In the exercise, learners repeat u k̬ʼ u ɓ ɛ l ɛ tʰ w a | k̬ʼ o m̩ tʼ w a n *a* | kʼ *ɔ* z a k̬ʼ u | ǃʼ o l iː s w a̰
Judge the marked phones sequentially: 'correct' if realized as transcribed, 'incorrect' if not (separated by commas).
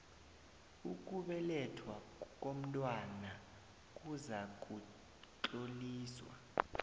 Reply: correct, incorrect